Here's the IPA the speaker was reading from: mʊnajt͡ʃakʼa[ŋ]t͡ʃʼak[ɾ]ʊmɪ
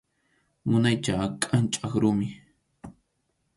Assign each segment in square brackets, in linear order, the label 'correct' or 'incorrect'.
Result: incorrect: n, correct

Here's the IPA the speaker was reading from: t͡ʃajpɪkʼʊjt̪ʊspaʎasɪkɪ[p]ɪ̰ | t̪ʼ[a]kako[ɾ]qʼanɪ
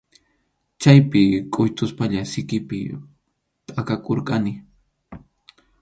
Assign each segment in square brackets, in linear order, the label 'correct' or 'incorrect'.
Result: correct, correct, correct

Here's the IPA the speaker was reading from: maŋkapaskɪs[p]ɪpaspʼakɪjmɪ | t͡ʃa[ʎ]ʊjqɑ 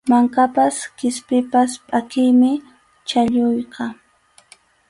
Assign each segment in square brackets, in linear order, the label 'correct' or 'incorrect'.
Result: correct, correct

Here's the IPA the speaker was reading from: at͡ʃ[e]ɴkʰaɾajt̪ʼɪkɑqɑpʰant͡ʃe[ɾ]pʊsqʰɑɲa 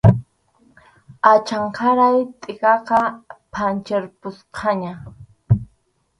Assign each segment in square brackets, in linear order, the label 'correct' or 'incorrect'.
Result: incorrect: a, correct

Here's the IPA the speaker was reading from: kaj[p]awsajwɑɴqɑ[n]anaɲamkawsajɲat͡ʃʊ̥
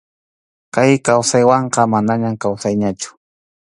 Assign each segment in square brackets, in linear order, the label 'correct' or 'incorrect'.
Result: incorrect: k, incorrect: m

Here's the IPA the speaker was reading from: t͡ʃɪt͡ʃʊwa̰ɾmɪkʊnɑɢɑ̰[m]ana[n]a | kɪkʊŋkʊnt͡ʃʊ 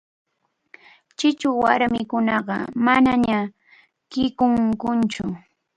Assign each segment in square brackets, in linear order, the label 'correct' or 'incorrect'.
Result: correct, incorrect: ɲ

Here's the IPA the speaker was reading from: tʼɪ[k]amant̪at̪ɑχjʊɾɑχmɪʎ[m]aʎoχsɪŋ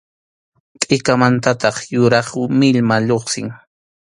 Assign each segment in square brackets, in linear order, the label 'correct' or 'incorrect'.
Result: correct, correct

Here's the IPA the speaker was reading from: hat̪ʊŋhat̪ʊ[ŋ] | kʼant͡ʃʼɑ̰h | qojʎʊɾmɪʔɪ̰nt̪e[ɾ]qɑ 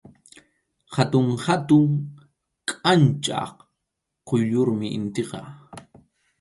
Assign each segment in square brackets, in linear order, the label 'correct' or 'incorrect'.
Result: correct, incorrect: none

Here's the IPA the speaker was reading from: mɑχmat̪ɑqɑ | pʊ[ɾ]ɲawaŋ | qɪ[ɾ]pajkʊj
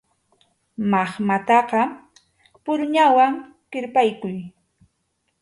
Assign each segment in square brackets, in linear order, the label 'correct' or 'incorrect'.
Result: correct, correct

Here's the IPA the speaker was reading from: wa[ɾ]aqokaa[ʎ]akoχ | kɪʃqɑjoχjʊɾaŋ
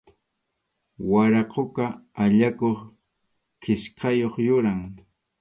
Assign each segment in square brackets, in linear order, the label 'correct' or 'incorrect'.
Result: correct, correct

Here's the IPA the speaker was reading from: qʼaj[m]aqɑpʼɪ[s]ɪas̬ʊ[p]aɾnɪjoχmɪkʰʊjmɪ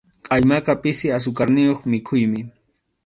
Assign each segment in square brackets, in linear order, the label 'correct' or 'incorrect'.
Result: correct, correct, incorrect: k

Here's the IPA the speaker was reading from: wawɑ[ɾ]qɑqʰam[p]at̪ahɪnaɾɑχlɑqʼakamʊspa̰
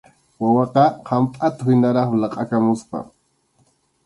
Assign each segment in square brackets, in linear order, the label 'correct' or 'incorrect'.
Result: incorrect: none, incorrect: pʼ

